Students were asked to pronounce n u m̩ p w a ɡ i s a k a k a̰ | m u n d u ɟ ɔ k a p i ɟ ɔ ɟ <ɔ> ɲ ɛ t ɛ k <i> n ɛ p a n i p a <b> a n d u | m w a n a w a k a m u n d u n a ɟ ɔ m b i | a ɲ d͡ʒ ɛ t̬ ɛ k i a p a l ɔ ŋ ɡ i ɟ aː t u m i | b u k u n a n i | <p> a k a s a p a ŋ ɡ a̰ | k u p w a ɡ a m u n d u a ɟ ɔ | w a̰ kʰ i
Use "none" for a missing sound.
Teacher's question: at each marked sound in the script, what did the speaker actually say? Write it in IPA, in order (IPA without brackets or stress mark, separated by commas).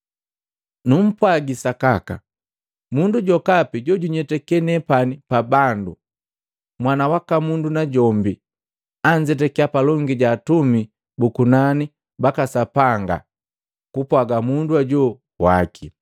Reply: u, ɛ, b, b